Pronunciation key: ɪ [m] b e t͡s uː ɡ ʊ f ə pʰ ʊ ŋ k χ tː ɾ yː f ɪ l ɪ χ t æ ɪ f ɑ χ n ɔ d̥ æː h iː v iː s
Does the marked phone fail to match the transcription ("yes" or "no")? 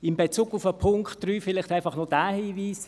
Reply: no